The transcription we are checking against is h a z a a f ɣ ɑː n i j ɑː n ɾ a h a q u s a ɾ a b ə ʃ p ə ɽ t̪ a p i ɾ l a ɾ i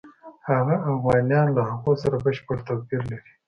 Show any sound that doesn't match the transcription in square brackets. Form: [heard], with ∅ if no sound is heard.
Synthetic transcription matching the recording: h a [ɣ] a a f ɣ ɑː n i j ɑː n [l] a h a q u s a ɾ a b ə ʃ p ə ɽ t̪ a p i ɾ l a ɾ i